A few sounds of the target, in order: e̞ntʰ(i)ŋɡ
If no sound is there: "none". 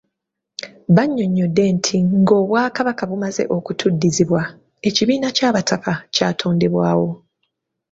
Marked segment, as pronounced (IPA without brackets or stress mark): i